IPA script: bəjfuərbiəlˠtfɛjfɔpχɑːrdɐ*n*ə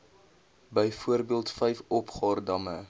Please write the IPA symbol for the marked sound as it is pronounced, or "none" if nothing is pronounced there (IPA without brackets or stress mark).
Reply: m